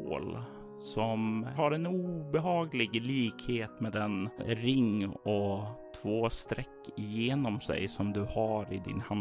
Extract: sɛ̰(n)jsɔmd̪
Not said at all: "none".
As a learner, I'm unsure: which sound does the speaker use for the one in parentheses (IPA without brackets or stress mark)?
none